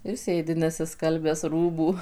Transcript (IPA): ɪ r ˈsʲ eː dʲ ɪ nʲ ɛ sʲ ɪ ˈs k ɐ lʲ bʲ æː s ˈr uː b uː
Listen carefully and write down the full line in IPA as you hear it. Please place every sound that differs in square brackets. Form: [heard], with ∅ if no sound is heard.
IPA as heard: ɪ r ˈsʲ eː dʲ ɪ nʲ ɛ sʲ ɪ ˈs k ɐ lʲ bʲ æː s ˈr uː b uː